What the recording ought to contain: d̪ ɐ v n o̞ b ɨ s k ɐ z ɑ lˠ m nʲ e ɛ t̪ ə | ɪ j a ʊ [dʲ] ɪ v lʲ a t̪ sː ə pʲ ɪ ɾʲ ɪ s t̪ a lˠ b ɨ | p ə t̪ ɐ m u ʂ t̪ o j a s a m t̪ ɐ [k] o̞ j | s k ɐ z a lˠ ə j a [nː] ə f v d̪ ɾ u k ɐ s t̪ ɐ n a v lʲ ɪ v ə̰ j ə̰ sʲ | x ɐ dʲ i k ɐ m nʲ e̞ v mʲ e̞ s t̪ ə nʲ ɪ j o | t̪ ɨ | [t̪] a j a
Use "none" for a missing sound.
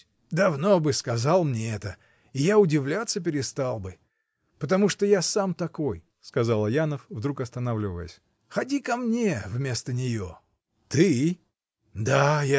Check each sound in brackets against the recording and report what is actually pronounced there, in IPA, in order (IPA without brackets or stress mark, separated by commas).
dʲ, k, n, d̪